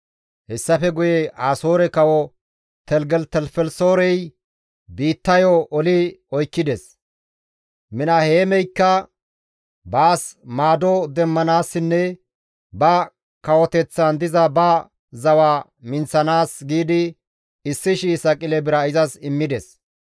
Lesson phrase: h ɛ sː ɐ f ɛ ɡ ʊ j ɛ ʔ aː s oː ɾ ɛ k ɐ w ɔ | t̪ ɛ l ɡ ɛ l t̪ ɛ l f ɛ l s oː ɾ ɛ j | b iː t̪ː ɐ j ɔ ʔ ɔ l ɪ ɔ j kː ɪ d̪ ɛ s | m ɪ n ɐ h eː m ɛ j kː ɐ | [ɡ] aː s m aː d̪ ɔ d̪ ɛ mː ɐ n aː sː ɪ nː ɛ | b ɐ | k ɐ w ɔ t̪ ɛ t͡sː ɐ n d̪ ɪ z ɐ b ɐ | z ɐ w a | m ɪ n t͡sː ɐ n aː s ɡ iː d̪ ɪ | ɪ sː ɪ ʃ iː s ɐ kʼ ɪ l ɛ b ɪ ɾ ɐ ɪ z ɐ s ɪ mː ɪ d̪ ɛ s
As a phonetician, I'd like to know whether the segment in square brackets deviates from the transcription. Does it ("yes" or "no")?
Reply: yes